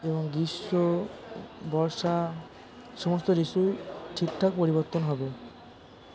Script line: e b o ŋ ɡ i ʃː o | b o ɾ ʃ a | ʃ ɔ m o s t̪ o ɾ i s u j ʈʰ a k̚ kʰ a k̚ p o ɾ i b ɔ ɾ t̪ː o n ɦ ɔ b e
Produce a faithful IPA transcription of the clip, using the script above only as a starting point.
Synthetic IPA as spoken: e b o ŋ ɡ i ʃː o | b ɔ ɾ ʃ a | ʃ ɔ m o s t̪ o ɾ i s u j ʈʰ i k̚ ʈʰ a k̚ p o ɾ i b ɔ ɾ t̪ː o n ɦ ɔ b e